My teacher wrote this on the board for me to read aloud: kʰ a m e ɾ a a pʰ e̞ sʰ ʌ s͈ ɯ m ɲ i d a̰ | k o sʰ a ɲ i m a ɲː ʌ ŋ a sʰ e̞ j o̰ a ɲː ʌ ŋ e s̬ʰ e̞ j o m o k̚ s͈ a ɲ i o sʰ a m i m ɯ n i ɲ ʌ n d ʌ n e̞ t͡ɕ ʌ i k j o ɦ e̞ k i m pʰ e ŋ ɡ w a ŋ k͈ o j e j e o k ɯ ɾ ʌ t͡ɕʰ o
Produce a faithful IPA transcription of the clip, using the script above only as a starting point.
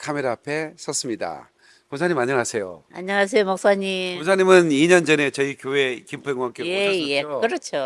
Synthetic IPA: kʰ a m e ɾ a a pʰ e̞ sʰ ʌ s͈ ɯ m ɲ i d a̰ | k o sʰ a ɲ i m a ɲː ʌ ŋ a sʰ e̞ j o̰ a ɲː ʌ ŋ a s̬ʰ e̞ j o m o k̚ s͈ a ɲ i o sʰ a ɲ i m ɯ n i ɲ ʌ n d͡ʑ ʌ n e̞ t͡ɕ ʌ i k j o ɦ e̞ k i m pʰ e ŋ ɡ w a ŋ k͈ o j e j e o k ɯ ɾ ʌ t͡ɕʰ o

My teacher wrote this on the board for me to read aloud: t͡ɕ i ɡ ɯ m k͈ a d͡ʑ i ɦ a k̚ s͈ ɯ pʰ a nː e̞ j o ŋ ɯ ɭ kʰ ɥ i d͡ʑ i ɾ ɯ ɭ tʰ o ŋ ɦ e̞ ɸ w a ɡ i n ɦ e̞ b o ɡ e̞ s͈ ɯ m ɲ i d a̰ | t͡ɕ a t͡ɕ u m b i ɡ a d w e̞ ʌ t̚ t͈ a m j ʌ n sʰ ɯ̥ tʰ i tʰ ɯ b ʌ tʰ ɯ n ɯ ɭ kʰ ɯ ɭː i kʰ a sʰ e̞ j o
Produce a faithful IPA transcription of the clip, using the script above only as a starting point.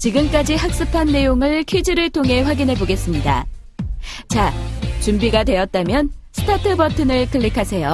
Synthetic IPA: t͡ɕ i ɡ ɯ m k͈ a d͡ʑ i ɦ a k̚ s͈ ɯ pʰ a nː e̞ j o ŋ ɯ ɭ kʰ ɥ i d͡ʑ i ɾ ɯ ɭ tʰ o ŋ ɦ e̞ ɸ w a ɡ i n ɦ e̞ b o ɡ e̞ s͈ ɯ m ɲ i d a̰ | t͡ɕ a t͡ɕ u m b i ɡ a d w e̞ ʌ t̚ t͈ a m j ʌ n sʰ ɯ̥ tʰ a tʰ ɯ b ʌ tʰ ɯ n ɯ ɭ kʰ ɯ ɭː i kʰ a sʰ e̞ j o

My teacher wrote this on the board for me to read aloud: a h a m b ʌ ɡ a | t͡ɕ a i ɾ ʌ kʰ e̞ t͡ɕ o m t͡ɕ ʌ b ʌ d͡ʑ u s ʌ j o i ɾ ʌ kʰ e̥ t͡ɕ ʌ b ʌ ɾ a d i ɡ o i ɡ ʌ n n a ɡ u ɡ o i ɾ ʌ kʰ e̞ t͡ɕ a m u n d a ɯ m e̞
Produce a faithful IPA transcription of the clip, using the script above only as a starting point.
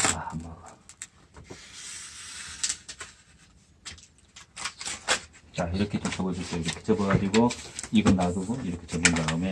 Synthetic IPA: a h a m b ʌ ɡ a | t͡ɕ a i ɾ ʌ kʰ e̞ t͡ɕ o m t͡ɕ ʌ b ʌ d͡ʑ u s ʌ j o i ɾ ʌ kʰ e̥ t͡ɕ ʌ b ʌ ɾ a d i ɡ o i ɡ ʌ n n a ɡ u ɡ o i ɾ ʌ kʰ e̞ t͡ɕ ʌ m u n d a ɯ m e̞

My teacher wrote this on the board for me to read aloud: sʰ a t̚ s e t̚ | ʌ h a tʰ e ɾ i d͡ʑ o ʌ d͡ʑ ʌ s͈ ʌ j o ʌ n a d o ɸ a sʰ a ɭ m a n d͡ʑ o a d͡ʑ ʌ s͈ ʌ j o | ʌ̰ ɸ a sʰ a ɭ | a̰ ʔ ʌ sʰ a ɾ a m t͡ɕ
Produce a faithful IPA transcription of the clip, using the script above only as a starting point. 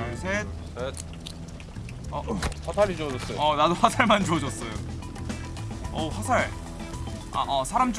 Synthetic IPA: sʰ e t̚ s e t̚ | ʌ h a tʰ a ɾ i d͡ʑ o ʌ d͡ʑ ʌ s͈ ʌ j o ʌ n a d o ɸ a sʰ a ɭ m a n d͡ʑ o ʌ d͡ʑ ʌ s͈ ʌ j o | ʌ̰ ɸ a sʰ a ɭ | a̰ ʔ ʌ sʰ a ɾ a m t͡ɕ

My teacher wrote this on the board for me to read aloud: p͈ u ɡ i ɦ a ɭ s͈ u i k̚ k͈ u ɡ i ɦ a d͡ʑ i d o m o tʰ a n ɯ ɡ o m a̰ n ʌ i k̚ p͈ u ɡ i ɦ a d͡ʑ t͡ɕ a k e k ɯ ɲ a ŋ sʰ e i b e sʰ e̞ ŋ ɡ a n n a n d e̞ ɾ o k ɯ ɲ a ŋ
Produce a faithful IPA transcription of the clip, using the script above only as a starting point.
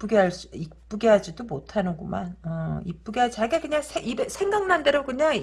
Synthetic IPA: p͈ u ɡ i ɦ a ɭ s͈ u i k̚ p͈ u ɡ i ɦ a d͡ʑ i d o m o tʰ a n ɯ ɡ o m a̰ n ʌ i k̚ p͈ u ɡ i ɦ a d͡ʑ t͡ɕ a ɡ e k ɯ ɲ a ŋ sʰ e i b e sʰ e̞ ŋ ɡ a ŋ n a n d e̞ ɾ o k ɯ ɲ a ŋ

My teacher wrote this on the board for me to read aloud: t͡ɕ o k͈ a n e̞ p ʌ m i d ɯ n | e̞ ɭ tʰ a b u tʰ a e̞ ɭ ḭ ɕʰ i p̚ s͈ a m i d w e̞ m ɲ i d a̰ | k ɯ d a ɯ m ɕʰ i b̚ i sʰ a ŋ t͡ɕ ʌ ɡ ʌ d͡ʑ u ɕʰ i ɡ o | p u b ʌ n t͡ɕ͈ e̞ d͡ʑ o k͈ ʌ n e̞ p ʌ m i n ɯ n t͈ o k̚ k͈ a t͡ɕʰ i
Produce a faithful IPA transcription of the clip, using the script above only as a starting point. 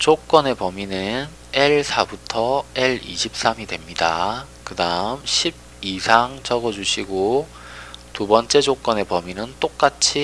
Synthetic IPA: t͡ɕ o k͈ ʌ n e̞ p ʌ m i n ɯ n | e̞ ɭ sʰ a b u tʰ ʌ e̞ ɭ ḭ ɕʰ i p̚ s͈ a m i d w e̞ m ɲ i d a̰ | k ɯ d a ɯ m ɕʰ i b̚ i sʰ a ŋ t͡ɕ ʌ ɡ ʌ d͡ʑ u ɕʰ i ɡ o | t u b ʌ n t͡ɕ͈ e̞ d͡ʑ o k͈ ʌ n e̞ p ʌ m i n ɯ n t͈ o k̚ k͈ a t͡ɕʰ i

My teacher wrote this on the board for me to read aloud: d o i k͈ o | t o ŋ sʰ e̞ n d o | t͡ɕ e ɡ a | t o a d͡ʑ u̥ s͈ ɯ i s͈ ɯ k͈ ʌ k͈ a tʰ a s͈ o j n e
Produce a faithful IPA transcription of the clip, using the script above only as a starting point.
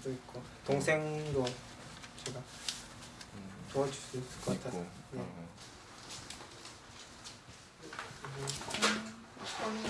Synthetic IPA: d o i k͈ o | t o ŋ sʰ e̞ ŋ d o | t͡ɕ e ɡ a | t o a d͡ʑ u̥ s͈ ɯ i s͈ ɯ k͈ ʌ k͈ a tʰ a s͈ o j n e

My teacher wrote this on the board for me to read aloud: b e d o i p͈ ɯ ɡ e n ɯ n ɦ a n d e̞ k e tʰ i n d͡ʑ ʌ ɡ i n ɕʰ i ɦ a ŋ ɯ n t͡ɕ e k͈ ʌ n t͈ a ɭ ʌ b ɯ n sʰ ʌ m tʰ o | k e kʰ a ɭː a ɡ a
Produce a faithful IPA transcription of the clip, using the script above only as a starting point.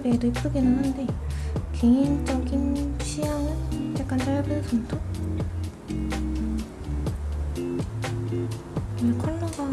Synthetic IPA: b e d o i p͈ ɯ ɡ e n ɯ n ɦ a n d e̞ k e i n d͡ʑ ʌ ɡ i n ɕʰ i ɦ a ŋ ɯ n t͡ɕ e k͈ a n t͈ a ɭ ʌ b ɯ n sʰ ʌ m tʰ o | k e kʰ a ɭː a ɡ a

